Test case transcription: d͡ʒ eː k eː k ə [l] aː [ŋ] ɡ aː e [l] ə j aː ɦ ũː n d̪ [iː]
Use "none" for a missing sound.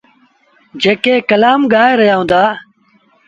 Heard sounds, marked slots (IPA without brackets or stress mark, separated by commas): l, m, ɾ, aː